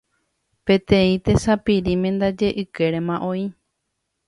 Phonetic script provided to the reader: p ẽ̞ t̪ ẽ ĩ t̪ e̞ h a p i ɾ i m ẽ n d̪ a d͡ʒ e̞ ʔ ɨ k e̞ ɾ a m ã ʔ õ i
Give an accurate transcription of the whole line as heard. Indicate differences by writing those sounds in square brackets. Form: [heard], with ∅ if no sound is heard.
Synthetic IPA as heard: p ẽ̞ t̪ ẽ ĩ t̪ e̞ [s] a p i ɾ i m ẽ n d̪ a d͡ʒ e̞ ʔ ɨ k e̞ ɾ [e] m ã ʔ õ i